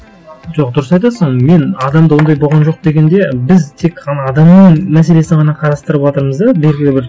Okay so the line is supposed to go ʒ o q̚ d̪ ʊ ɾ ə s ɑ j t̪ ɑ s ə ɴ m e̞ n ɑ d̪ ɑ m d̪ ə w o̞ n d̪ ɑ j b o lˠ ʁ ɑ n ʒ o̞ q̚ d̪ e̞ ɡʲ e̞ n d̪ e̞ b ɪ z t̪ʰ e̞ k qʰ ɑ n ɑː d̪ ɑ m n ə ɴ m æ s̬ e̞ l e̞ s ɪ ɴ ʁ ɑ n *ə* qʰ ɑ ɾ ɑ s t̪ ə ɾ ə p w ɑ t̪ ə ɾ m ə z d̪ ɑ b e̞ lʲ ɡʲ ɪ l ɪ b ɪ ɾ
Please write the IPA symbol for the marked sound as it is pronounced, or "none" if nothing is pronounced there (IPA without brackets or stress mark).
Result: ɑ